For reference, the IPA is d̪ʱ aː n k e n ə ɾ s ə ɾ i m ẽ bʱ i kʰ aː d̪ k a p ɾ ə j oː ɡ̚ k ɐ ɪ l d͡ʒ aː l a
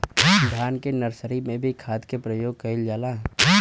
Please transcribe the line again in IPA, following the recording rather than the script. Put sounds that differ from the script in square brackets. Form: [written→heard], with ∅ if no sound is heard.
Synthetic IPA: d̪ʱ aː n k e n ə ɾ s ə ɾ i m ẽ bʱ i kʰ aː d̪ k [a→e] p ɾ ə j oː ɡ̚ k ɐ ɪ l d͡ʒ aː l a

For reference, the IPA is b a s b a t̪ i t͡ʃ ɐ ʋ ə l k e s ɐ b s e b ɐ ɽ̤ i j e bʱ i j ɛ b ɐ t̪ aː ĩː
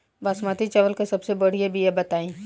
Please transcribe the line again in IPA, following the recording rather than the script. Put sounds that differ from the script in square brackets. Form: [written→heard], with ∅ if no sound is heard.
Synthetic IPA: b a s [b→m] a t̪ i t͡ʃ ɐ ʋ ə l k e s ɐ b s e b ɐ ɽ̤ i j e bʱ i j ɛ b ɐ t̪ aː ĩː

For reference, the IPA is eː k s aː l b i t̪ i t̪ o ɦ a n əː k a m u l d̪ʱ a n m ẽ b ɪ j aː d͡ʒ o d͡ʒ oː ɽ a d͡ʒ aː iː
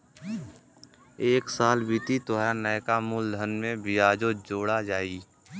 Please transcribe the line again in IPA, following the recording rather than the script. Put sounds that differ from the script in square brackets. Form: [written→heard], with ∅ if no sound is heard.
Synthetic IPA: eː k s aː l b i t̪ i t̪ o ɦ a n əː k a m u l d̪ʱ [a→ə] n m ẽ b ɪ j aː d͡ʒ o d͡ʒ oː ɽ a d͡ʒ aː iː

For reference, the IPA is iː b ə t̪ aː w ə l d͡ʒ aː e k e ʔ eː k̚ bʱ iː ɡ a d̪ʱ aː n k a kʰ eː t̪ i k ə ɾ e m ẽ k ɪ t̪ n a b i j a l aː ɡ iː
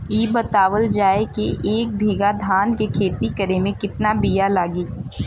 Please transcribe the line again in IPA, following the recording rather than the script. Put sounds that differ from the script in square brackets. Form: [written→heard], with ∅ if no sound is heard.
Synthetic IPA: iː b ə t̪ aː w ə l d͡ʒ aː e k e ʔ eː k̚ bʱ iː ɡ a d̪ʱ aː n k [a→e] kʰ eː t̪ i k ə ɾ e m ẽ k ɪ t̪ n a b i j a l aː ɡ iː

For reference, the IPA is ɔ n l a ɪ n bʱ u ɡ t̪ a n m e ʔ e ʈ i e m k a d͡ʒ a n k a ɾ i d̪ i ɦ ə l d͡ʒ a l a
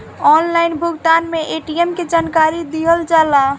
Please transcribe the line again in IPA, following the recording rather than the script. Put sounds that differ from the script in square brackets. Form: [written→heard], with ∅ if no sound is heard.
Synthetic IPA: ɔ n l a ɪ n bʱ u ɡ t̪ a n m e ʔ e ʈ i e m k [a→e] d͡ʒ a n k a ɾ i d̪ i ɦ ə l d͡ʒ a l a

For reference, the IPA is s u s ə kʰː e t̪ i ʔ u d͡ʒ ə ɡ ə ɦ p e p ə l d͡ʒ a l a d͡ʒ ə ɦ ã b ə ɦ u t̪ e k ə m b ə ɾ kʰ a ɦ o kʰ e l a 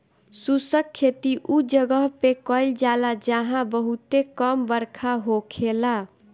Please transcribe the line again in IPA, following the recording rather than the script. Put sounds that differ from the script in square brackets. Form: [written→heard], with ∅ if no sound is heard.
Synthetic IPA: s u s ə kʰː e t̪ i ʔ u d͡ʒ ə ɡ ə ɦ p e [p→k] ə l d͡ʒ a l a d͡ʒ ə ɦ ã b ə ɦ u t̪ e k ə m b ə ɾ kʰ a ɦ o kʰ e l a

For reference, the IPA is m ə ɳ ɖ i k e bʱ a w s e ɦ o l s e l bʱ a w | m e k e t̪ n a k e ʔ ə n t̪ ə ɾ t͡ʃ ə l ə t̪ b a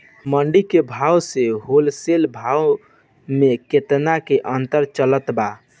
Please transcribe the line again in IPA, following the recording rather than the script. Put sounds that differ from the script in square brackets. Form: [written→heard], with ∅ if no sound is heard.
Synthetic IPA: m ə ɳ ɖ i k e bʱ a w s e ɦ o l s e l bʱ a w | m e k e t̪ n a k e ʔ ə n t̪ ə ɾ t͡ʃ ə l ə t̪ b a

